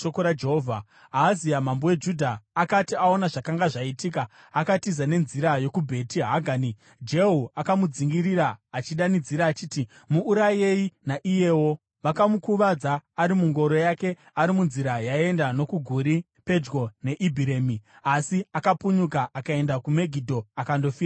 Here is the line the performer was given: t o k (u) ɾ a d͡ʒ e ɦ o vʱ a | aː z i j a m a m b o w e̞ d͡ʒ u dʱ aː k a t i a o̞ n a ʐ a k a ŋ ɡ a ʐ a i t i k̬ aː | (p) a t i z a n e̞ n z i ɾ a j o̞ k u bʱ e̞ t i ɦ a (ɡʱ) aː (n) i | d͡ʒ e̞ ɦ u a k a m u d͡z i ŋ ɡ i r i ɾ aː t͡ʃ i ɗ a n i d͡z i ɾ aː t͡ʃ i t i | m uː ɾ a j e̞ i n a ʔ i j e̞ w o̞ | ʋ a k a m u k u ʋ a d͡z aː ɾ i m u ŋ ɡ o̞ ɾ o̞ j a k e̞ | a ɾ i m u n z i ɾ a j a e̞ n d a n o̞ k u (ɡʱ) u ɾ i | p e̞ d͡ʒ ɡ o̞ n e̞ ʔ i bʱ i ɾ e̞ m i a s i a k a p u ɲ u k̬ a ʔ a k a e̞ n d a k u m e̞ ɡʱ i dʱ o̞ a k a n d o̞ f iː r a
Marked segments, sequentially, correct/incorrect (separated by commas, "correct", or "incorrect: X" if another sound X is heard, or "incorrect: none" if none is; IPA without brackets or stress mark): incorrect: o, incorrect: k, correct, correct, correct